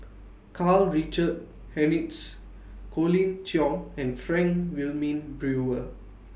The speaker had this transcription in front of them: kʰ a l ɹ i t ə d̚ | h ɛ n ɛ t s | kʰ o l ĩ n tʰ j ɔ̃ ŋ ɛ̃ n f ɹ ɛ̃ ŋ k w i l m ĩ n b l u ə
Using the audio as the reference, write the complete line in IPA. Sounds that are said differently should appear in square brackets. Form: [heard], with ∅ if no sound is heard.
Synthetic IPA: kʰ a l ɹ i [t͡ʃ] ə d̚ | h ɛ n [i] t s | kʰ o l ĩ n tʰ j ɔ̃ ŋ ɛ̃ n f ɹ ɛ̃ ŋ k w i l m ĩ n b [ɹ] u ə